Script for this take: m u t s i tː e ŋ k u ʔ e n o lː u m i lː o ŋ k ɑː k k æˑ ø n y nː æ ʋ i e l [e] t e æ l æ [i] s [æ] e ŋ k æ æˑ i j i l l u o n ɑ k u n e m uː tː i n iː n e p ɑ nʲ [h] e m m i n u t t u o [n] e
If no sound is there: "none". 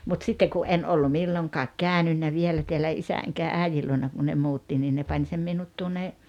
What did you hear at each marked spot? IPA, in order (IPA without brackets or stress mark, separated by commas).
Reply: æ, i, æ, s, nː